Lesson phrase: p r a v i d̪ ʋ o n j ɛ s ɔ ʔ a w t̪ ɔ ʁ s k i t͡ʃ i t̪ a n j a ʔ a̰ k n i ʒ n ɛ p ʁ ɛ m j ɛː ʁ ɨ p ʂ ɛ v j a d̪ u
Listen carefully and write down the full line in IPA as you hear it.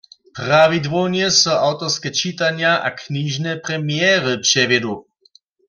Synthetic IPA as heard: p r a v i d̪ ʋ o n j ɛ s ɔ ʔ a w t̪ ɔ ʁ s k ɛ t͡ʃ i t̪ a n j a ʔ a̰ k n i ʒ n ɛ p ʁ ɛ m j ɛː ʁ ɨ p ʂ ɛ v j ɛ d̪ u